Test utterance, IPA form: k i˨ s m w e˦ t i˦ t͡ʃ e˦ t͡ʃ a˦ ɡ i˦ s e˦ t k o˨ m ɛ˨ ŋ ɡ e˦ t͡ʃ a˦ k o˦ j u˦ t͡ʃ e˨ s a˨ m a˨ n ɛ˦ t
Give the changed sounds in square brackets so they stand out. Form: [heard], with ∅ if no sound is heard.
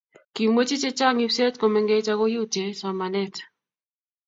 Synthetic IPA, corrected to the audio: k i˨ [∅] m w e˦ [t͡ʃ] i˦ t͡ʃ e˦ t͡ʃ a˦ [ŋ] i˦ s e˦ t k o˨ m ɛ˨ ŋ ɡ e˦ t͡ʃ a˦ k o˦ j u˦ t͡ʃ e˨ s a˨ m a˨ n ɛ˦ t